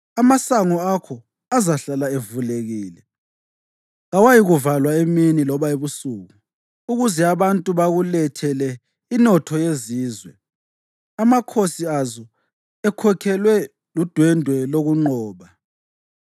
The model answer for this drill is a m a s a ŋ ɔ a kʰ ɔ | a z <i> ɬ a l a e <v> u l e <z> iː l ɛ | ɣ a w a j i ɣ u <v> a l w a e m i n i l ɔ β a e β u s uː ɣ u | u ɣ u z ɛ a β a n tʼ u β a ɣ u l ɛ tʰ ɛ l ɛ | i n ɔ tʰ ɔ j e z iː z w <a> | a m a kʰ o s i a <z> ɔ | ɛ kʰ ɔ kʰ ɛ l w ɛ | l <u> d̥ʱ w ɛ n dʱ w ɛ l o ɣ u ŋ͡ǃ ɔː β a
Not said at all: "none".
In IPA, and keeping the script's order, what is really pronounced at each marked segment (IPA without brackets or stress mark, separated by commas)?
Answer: a, v, ɣ, v, ɛ, z, u